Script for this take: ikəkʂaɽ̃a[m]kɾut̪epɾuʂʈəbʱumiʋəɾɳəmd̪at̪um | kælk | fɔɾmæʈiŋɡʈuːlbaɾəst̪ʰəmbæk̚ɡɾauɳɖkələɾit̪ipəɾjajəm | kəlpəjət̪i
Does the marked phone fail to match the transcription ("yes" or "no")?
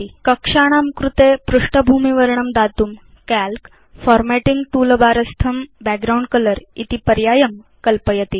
no